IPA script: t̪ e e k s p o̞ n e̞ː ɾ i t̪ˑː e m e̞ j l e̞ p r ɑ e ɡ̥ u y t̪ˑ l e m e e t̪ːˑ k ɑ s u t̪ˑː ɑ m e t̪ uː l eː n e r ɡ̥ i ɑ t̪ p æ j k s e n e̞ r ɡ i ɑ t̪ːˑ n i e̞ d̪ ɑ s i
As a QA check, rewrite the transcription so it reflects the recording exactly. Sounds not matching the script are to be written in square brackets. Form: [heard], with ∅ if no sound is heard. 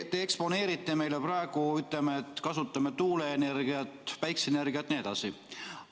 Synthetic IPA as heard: t̪ e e k s p o̞ n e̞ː ɾ i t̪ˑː e m e̞ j l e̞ p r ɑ e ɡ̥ u y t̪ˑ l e m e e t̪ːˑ k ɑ s u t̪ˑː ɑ m e t̪ uː l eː n e r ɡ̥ i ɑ t̪ p æ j k s e n e̞ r ɡ i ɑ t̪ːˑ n i e̞ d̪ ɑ s i